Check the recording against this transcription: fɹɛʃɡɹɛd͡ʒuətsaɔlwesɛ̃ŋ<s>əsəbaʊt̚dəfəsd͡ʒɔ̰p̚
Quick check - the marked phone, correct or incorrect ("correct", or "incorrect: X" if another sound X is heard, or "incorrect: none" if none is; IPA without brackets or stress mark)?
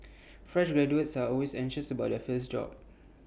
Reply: incorrect: ʃ